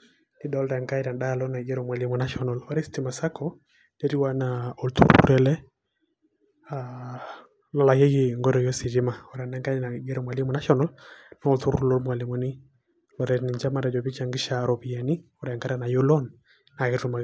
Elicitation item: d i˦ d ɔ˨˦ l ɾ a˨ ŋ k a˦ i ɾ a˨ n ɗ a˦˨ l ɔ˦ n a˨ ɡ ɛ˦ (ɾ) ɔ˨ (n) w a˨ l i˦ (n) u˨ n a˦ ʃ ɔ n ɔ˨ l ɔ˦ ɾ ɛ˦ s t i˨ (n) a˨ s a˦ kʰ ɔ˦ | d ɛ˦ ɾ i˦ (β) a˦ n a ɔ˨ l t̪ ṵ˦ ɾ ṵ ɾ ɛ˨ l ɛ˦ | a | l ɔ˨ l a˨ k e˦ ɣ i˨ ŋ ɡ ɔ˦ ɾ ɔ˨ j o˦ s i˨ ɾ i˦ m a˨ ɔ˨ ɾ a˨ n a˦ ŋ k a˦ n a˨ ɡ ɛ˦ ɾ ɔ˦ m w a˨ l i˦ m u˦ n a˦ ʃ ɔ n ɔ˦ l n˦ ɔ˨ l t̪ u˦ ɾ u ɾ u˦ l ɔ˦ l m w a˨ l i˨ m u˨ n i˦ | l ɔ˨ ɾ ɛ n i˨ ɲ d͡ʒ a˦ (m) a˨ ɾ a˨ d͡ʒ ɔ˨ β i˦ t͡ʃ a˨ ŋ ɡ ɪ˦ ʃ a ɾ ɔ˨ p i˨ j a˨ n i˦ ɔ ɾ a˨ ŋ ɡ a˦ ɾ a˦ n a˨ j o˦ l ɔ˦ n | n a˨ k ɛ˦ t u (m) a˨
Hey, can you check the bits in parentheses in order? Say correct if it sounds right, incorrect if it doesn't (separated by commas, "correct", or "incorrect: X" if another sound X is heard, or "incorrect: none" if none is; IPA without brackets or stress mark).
correct, incorrect: m, incorrect: m, incorrect: m, incorrect: w, correct, correct